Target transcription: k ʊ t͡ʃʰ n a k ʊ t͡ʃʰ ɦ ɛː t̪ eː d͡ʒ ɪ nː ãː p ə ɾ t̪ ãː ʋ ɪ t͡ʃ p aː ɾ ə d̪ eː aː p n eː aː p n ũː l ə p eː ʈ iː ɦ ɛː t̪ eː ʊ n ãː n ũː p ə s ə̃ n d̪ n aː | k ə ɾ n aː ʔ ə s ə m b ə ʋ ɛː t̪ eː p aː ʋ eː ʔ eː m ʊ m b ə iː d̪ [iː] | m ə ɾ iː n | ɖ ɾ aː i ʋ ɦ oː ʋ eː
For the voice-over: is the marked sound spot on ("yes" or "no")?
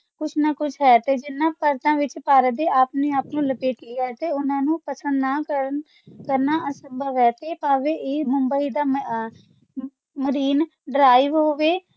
no